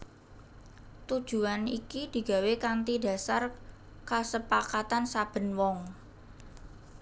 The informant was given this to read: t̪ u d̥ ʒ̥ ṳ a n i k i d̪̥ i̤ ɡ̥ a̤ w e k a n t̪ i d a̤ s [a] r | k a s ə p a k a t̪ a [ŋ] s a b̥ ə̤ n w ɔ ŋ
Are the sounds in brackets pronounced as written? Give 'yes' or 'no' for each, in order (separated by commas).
yes, no